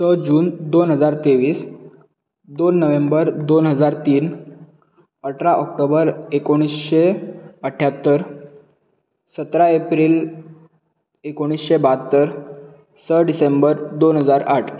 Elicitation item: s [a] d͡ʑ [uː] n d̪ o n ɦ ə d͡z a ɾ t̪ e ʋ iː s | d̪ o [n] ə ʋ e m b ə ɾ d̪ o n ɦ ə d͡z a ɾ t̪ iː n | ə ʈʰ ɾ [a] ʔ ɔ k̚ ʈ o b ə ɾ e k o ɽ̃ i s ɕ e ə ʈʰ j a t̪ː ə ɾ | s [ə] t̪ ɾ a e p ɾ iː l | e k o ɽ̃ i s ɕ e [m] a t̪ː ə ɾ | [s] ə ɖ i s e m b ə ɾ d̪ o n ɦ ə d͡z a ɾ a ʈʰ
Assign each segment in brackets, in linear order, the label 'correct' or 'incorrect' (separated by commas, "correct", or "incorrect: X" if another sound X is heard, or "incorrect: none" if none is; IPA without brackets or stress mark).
incorrect: ə, correct, incorrect: nː, correct, correct, incorrect: b, correct